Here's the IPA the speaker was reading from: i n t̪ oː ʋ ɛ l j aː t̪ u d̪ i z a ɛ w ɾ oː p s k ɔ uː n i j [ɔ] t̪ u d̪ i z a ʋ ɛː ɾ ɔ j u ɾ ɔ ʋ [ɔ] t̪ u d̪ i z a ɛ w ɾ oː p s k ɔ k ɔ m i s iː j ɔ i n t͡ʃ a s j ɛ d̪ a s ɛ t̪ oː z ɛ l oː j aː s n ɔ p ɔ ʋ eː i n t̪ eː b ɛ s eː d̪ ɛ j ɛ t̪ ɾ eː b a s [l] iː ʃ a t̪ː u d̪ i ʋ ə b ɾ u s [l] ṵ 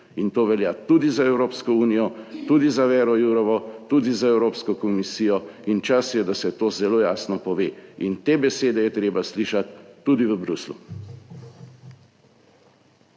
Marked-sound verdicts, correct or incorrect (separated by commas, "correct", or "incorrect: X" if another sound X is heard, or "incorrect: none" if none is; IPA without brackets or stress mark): correct, correct, correct, correct